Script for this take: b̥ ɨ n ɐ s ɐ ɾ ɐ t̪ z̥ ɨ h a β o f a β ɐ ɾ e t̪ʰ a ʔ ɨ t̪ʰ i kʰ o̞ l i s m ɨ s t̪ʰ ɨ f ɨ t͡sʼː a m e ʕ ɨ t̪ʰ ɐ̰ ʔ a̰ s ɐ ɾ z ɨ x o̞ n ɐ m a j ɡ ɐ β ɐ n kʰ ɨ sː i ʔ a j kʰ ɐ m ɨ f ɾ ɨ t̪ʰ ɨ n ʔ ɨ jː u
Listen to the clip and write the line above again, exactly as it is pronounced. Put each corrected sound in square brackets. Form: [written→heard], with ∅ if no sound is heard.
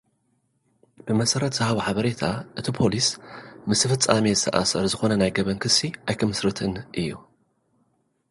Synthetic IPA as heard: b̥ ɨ [n→m] ɐ s ɐ ɾ ɐ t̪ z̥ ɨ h a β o [f→ħ] a β ɐ ɾ e t̪ʰ a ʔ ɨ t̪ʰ i [kʰ→pʰ] o̞ l i s m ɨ s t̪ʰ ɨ f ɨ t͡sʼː a m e [ʕ→z] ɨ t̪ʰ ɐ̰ ʔ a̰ s ɐ ɾ z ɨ x o̞ n ɐ [m→n] a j ɡ ɐ β ɐ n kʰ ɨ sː i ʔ a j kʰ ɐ m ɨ [f→s] ɾ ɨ t̪ʰ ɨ n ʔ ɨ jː u